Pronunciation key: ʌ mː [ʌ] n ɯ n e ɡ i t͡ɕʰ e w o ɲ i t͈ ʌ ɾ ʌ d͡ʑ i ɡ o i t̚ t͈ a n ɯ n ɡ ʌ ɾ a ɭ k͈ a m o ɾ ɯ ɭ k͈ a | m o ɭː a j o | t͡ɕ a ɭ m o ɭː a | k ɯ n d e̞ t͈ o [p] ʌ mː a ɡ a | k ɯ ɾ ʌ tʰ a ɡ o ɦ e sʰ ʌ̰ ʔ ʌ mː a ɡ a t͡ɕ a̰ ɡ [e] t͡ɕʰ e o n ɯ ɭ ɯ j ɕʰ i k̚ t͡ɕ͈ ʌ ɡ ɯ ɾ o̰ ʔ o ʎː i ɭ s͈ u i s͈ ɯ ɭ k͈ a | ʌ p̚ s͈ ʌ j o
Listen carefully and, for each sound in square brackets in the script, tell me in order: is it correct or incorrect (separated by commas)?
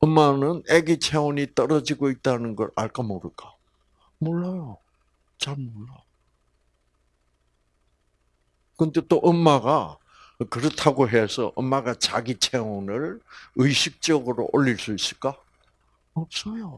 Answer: incorrect, incorrect, incorrect